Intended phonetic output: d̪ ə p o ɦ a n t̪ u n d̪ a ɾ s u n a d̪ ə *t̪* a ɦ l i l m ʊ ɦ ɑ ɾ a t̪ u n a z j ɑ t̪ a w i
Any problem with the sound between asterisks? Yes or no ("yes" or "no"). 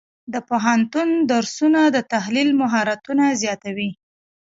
no